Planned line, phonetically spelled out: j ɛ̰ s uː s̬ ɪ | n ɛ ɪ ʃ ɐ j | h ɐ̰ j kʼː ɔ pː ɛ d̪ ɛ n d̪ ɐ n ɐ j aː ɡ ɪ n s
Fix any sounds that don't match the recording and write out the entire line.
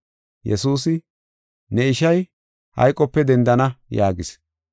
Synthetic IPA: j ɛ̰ s uː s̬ ɪ | n ɛ ɪ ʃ ɐ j | h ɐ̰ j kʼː ɔ pː ɛ d̪ ɛ n d̪ ɐ n ɐ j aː ɡ ɪ s